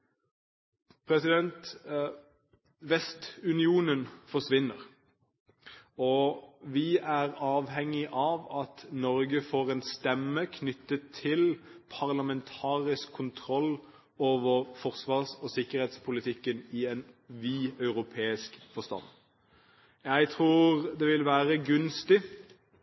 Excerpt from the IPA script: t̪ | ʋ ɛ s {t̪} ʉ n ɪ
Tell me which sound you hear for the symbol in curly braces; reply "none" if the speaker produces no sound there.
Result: t̪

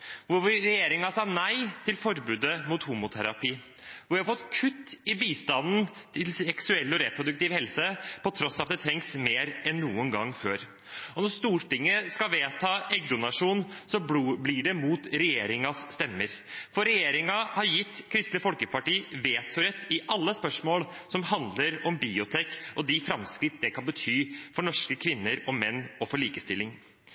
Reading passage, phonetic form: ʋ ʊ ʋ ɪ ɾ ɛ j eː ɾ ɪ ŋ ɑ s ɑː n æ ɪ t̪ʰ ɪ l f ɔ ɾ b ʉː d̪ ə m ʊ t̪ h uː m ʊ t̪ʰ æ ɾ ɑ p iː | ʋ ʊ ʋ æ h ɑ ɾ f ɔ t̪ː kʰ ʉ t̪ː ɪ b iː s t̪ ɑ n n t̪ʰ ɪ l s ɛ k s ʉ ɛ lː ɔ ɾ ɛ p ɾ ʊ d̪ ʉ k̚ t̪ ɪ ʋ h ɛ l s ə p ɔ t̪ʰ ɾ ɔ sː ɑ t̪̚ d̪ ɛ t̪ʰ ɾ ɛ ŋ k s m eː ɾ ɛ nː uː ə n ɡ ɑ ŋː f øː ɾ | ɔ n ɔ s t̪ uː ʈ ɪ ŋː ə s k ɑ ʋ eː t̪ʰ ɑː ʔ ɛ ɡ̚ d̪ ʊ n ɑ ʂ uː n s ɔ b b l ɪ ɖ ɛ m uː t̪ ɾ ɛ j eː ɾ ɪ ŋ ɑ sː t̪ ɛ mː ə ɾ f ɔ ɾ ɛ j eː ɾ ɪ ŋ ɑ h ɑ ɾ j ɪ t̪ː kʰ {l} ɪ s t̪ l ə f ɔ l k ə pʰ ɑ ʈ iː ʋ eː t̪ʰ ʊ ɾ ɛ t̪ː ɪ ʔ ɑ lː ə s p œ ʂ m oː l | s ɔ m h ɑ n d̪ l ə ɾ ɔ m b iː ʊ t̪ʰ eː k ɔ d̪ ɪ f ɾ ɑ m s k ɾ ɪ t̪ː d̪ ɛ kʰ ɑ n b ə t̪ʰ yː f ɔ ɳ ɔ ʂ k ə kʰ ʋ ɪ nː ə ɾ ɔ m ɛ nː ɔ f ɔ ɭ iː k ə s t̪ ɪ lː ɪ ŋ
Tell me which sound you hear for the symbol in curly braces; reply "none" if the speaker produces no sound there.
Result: ɾ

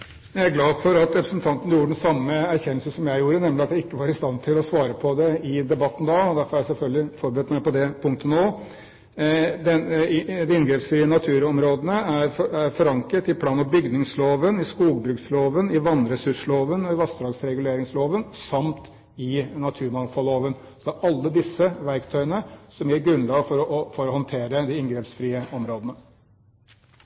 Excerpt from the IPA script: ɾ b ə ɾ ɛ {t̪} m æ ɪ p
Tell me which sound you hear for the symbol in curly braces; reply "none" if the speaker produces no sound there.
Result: t̪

